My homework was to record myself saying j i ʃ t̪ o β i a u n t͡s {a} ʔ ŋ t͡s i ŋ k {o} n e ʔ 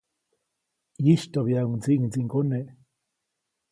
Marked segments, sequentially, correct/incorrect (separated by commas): incorrect, correct